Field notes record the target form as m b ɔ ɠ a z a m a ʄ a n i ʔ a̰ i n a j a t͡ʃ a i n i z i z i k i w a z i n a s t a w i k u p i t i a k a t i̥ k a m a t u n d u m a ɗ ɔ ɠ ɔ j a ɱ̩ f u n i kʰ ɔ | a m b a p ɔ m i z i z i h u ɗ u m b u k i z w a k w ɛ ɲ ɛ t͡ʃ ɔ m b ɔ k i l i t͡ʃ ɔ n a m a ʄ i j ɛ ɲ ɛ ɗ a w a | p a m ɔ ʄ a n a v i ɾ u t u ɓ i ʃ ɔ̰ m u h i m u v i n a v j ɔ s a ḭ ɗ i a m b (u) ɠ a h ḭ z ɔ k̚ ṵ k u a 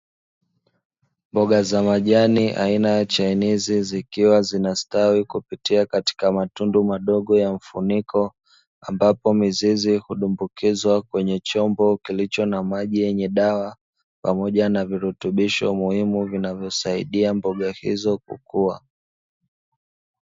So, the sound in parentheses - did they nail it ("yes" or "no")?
no